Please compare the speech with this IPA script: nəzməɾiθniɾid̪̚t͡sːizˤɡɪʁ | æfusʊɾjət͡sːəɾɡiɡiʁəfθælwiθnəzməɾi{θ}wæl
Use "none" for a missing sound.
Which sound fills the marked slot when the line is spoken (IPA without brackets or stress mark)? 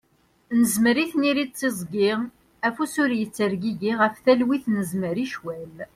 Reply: ʃ